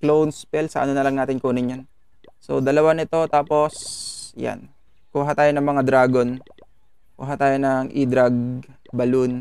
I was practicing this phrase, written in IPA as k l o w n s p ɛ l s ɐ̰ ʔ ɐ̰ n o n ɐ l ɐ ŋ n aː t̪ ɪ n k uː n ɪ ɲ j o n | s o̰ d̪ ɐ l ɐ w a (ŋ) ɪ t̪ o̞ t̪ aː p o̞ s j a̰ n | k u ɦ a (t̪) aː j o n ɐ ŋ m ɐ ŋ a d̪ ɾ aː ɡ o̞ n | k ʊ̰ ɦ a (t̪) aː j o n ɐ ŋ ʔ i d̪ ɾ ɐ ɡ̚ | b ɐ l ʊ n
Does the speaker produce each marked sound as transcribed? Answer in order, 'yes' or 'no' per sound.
no, yes, yes

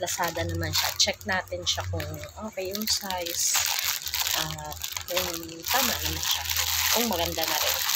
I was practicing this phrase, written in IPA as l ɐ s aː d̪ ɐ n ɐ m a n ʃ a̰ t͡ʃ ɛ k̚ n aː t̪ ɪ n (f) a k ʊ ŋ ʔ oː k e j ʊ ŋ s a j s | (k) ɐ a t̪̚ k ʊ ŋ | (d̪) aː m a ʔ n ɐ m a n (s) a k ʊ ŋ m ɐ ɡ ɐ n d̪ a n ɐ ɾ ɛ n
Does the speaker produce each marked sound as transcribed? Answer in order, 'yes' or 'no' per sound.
no, no, no, no

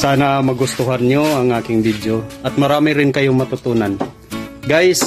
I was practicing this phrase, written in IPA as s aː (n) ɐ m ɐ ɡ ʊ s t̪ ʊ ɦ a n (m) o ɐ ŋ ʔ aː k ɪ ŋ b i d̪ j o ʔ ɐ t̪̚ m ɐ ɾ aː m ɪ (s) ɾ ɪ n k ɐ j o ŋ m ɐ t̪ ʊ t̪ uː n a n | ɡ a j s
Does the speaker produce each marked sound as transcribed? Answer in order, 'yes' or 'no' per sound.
yes, no, no

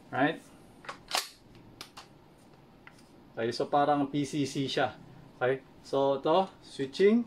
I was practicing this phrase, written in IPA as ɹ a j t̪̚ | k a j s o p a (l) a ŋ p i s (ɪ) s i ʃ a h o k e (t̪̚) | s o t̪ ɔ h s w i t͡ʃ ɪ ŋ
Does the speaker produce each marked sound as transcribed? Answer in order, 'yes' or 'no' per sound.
no, no, no

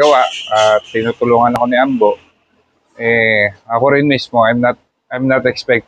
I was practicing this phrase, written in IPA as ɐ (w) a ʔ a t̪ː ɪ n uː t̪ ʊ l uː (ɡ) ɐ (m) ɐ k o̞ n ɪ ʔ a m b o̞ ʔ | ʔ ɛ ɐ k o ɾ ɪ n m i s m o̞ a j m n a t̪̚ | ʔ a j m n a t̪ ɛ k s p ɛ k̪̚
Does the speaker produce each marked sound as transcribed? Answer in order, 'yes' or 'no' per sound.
yes, no, no

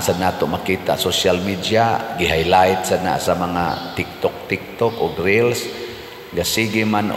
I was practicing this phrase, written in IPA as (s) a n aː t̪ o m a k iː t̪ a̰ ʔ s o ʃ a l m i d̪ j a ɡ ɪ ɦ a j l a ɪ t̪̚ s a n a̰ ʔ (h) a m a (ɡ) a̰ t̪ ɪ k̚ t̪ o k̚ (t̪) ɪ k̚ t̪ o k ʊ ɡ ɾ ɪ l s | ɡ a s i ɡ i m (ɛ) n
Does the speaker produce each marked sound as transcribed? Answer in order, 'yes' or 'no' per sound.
yes, no, no, yes, no

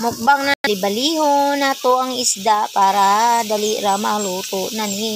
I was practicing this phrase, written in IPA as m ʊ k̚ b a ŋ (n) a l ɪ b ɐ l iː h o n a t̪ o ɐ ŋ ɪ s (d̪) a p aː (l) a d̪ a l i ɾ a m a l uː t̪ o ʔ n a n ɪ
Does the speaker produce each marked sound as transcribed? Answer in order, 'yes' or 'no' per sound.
yes, yes, no

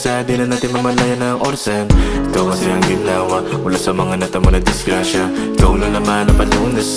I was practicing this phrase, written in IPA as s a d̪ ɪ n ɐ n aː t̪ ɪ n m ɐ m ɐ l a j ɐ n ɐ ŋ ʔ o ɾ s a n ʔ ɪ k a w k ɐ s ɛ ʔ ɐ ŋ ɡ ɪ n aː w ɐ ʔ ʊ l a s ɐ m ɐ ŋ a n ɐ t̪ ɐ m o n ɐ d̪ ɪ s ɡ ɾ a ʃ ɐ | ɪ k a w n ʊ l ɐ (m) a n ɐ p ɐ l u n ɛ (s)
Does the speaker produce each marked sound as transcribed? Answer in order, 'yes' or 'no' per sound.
yes, yes

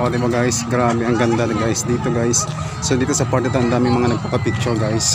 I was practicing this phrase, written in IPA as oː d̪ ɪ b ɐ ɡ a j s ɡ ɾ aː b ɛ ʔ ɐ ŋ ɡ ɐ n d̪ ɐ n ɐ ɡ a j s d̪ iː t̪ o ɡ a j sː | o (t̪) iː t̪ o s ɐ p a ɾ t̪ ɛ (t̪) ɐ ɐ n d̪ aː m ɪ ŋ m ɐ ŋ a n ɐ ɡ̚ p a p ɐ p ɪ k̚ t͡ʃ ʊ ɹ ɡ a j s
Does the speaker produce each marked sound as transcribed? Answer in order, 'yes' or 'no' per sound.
no, yes

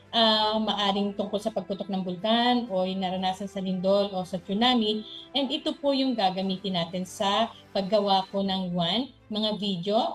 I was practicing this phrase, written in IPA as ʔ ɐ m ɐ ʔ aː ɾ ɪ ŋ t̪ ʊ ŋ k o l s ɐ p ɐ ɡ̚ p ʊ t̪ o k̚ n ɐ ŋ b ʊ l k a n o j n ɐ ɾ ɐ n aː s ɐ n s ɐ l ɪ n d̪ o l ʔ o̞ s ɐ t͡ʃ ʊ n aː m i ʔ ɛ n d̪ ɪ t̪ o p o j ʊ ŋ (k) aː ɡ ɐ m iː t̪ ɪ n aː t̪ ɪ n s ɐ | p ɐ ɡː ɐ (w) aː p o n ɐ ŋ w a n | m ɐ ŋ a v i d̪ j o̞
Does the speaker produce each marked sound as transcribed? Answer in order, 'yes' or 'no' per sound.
no, yes

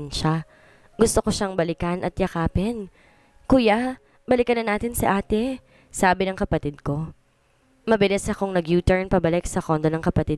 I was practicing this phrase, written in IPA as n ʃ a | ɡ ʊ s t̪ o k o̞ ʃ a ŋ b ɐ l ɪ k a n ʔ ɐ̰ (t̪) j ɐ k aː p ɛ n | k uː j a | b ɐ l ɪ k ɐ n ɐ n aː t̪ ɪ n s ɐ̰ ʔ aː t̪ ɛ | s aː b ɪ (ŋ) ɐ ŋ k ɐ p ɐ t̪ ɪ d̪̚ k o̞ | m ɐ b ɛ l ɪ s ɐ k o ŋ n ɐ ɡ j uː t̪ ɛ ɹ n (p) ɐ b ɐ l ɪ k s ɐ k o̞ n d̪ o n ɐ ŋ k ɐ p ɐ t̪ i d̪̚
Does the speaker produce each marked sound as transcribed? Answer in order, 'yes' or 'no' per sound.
yes, no, yes

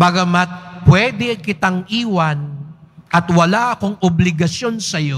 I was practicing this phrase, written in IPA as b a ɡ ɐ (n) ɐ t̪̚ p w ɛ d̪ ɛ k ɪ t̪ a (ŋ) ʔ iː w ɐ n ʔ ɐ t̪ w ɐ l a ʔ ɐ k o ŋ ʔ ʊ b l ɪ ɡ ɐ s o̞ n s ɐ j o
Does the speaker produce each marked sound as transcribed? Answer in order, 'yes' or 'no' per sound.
no, yes

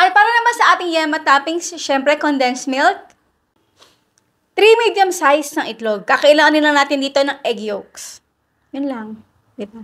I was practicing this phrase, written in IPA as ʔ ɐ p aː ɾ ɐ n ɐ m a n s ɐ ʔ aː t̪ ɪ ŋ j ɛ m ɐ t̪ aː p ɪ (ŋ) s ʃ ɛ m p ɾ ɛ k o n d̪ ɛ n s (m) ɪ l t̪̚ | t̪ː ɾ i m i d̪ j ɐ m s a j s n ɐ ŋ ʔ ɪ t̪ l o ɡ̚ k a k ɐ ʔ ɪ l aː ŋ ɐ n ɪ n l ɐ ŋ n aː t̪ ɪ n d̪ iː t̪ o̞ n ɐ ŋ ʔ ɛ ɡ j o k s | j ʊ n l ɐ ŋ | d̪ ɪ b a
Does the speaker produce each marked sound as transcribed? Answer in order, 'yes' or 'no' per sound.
yes, yes

